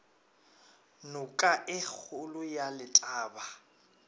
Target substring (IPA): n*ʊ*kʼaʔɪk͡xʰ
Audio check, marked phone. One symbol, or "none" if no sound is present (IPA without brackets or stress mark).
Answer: ʊ